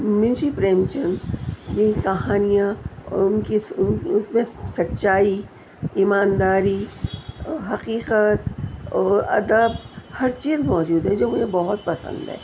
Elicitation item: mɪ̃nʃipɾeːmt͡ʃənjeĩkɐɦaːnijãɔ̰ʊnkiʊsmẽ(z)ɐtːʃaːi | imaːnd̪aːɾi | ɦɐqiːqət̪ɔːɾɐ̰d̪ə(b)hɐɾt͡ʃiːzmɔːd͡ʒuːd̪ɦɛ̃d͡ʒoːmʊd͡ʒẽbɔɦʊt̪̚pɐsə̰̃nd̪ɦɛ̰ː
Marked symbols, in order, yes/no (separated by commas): no, yes